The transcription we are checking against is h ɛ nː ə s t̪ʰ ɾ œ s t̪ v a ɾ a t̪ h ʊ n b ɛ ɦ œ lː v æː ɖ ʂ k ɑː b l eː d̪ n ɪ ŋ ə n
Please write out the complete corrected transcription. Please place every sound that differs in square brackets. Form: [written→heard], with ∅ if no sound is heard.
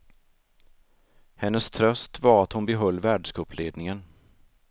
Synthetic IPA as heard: h ɛ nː ə s t̪ʰ ɾ œ s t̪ v a ɾ a t̪ h ʊ n b ɛ ɦ œ lː v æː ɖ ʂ k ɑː [b→p] l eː d̪ n ɪ ŋ ə n